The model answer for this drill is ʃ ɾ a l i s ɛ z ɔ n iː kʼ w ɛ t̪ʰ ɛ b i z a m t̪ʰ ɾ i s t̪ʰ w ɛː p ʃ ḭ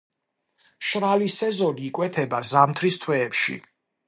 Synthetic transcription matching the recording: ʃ ɾ a l i s ɛ z ɔ n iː kʼ w ɛ t̪ʰ ɛ b a z a m t̪ʰ ɾ i s t̪ʰ w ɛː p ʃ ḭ